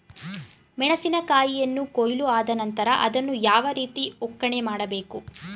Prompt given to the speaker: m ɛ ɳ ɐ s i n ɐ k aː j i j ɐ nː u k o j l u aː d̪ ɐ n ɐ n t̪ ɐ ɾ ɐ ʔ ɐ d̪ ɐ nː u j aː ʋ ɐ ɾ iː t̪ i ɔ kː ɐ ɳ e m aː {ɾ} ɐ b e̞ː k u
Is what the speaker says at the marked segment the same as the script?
no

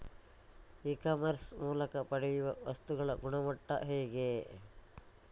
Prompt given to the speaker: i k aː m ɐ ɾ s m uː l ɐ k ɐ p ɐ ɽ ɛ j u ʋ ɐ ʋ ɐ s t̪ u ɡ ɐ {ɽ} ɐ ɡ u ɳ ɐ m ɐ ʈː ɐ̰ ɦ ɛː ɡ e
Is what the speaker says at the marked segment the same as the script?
no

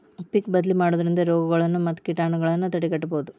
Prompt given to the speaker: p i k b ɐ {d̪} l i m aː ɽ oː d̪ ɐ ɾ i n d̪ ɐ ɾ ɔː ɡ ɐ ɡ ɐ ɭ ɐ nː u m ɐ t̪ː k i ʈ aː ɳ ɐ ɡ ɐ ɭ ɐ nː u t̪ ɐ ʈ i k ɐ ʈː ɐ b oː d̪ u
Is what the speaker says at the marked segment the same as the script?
yes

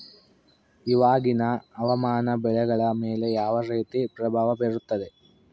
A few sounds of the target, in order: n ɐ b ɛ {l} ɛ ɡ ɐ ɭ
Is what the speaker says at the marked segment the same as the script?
no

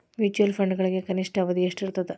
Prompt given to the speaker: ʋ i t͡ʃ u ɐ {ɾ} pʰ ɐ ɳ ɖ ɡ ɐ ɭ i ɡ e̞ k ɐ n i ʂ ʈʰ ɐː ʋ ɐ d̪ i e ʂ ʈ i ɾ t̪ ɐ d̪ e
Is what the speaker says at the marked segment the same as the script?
no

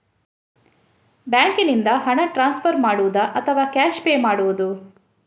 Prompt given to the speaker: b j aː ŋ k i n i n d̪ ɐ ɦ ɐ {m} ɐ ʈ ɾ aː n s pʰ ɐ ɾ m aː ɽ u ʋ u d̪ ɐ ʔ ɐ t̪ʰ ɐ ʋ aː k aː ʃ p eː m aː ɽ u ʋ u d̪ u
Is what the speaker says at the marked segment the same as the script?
no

